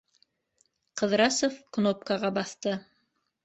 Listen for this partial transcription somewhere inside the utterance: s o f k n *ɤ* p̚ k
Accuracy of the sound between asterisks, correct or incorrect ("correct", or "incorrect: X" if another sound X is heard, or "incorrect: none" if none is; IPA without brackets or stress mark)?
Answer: incorrect: o